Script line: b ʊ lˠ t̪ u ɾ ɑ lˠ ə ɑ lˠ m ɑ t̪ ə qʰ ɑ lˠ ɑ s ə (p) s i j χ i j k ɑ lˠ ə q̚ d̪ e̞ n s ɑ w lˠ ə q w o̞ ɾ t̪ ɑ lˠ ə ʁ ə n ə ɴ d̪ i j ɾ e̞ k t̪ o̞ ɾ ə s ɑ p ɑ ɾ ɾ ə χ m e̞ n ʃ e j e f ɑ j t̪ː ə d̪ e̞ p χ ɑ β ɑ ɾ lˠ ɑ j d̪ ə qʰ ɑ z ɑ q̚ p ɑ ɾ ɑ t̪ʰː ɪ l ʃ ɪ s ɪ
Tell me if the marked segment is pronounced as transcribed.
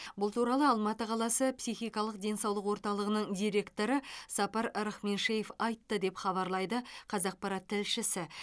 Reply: yes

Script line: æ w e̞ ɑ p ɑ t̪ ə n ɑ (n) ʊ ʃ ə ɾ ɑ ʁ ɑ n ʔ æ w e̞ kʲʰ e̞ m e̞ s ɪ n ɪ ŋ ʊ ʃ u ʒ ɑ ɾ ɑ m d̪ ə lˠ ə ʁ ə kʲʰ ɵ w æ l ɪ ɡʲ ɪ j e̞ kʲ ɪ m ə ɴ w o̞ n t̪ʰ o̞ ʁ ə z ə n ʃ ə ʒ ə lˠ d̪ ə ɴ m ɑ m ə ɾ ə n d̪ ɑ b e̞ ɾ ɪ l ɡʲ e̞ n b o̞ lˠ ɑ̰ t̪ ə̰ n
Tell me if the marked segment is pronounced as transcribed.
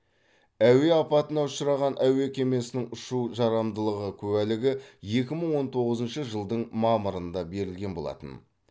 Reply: no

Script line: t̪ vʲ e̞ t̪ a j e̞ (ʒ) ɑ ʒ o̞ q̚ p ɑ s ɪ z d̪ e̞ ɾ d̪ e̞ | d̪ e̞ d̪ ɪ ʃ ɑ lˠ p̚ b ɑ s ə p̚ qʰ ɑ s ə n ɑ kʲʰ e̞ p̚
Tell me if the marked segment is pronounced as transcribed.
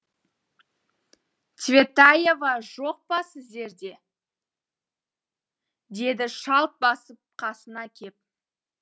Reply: no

